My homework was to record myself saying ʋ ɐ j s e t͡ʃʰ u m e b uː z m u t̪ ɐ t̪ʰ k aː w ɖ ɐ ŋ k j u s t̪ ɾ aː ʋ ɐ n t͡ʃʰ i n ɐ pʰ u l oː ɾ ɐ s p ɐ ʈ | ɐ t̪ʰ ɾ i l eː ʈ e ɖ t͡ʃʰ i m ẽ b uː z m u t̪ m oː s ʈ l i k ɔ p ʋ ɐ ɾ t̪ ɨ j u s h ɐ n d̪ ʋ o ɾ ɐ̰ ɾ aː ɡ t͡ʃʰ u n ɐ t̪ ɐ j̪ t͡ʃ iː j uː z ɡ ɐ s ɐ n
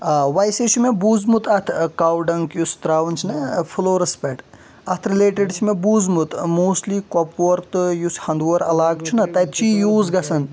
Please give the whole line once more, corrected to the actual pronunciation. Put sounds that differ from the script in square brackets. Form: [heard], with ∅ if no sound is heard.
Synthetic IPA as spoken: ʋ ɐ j s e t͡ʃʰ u m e b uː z m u t̪ ɐ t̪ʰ k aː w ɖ ɐ ŋ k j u s t̪ ɾ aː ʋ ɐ n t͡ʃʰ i n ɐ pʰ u l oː ɾ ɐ s p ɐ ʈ | ɐ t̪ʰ ɾ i l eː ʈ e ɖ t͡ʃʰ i m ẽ b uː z m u t̪ m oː s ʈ l i k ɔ p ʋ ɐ ɾ t̪ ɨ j u s h ɐ n d̪ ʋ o ɾ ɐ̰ [l] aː ɡ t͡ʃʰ u n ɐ t̪ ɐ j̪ t͡ʃ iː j uː z ɡ ɐ s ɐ n